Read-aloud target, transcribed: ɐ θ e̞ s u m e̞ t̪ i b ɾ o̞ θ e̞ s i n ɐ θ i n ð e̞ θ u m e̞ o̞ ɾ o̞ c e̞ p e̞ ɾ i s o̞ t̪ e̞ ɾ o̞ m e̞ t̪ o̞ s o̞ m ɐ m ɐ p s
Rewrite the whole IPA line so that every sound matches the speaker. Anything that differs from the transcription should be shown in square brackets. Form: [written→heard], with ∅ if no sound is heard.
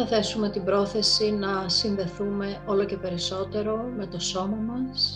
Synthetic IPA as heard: ɐ θ e̞ s u m e̞ t̪ i b ɾ o̞ θ e̞ s i n ɐ [θ→s] i n ð e̞ θ u m e̞ o̞ [ɾ→l] o̞ c e̞ p e̞ ɾ i s o̞ t̪ e̞ ɾ o̞ m e̞ t̪ o̞ s o̞ m ɐ m ɐ [p→∅] s